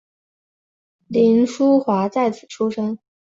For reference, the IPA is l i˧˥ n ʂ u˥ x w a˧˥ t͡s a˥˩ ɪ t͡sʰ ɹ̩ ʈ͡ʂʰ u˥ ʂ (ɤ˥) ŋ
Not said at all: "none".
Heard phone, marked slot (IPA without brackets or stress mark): ɤ˥